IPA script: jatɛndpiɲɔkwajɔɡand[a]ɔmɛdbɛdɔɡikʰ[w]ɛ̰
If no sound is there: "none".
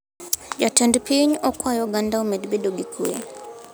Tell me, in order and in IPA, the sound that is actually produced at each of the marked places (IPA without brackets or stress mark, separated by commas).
a, u